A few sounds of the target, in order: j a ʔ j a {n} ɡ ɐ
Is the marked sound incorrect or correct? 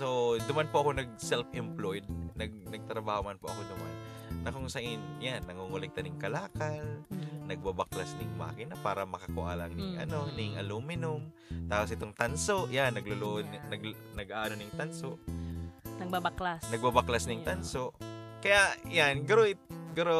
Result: correct